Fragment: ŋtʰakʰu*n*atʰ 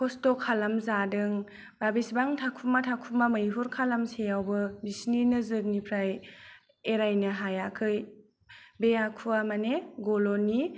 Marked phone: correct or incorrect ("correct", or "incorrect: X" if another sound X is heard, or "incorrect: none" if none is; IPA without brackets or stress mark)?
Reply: incorrect: m